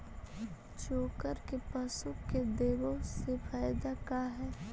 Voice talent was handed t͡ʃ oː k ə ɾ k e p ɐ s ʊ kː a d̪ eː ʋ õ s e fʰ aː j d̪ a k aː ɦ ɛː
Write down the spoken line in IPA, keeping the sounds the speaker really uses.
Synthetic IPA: t͡ʃ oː k ə ɾ k e p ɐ s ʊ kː e d̪ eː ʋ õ s e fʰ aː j d̪ a k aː ɦ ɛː